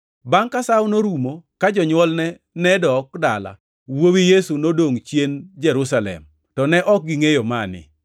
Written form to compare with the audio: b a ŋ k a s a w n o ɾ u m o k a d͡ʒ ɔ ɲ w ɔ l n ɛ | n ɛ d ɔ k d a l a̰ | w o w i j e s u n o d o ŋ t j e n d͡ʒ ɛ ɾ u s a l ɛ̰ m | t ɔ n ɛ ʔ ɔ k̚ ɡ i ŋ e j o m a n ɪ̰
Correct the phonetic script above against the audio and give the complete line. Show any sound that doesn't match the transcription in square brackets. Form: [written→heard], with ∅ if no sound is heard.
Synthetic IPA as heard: b a ŋ k a s a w n o ɾ u m o k a d͡ʒ ɔ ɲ w ɔ l n ɛ | n ɛ d ɔ k d a l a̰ | w o w i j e s u n o d o ŋ [t→t͡ʃ] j e n d͡ʒ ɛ ɾ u s a l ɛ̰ m | t ɔ n ɛ ʔ ɔ k̚ ɡ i ŋ e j o m a n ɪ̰